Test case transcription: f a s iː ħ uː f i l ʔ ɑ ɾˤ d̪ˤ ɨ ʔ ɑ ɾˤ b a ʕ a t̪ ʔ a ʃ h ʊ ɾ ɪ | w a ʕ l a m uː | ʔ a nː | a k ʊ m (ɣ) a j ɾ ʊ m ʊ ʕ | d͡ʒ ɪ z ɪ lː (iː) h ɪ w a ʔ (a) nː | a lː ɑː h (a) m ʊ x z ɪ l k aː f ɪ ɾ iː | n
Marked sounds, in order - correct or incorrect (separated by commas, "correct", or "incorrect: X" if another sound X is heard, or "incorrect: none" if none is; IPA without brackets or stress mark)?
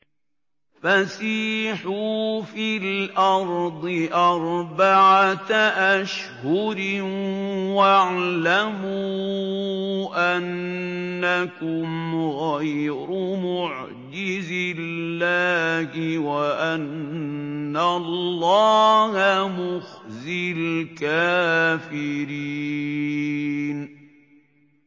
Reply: correct, incorrect: aː, correct, correct